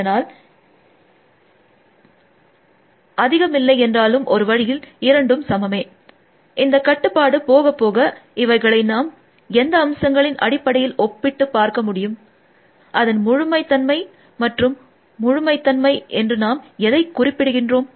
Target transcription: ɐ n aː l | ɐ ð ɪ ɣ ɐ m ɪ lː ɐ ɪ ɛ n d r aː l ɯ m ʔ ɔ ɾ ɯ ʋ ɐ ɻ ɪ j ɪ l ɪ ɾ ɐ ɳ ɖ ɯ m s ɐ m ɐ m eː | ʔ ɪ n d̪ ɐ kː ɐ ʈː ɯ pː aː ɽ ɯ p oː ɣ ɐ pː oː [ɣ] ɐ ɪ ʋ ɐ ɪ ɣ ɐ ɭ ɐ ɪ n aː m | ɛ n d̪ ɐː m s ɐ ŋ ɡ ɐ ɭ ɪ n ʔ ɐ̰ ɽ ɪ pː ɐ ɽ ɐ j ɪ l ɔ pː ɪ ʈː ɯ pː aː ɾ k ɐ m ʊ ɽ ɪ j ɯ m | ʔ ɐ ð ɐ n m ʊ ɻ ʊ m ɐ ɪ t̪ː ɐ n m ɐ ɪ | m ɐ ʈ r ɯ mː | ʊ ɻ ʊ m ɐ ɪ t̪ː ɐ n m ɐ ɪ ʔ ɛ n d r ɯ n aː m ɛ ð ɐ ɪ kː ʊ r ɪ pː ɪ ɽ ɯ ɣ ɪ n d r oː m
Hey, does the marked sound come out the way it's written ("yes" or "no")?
yes